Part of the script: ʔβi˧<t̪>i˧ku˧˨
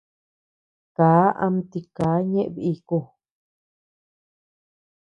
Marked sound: incorrect: none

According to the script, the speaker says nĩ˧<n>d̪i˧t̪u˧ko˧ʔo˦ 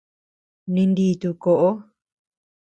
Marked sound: correct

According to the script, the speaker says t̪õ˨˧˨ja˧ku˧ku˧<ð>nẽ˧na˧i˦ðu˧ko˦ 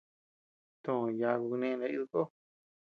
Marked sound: incorrect: none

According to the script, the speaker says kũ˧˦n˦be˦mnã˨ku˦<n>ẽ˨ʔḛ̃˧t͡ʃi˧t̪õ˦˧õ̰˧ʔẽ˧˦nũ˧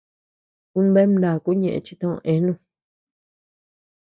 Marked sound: incorrect: ɲ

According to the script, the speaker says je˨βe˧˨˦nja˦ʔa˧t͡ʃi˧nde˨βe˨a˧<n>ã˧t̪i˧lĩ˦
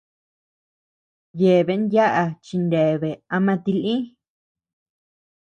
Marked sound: incorrect: m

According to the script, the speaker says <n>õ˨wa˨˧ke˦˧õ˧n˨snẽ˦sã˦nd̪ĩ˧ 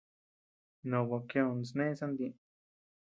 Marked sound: correct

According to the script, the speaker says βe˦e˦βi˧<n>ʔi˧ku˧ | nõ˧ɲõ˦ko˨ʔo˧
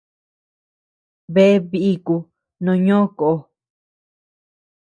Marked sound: incorrect: none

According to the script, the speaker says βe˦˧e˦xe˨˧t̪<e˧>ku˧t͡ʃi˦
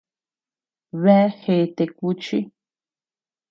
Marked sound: correct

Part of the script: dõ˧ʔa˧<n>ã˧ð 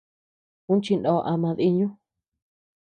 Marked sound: incorrect: m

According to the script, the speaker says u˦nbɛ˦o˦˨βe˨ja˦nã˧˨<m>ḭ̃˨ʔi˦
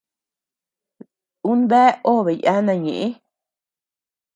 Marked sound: incorrect: ɲ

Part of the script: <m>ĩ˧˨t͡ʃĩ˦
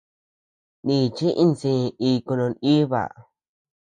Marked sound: incorrect: n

